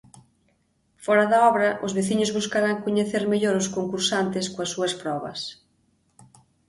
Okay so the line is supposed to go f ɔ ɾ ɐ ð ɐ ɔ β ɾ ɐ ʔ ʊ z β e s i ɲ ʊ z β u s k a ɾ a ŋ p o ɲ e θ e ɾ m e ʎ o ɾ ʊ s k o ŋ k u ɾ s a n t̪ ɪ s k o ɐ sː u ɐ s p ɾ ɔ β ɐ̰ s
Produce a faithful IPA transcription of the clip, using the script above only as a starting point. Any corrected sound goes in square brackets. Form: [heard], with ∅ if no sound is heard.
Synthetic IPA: f ɔ ɾ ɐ ð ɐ ɔ β ɾ ɐ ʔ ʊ z β e [θ] i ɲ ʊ z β u s k a ɾ a ŋ [k] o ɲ e θ e ɾ m e ʎ o ɾ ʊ s k o ŋ k u ɾ s a n t̪ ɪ s k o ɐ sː u ɐ s p ɾ ɔ β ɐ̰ s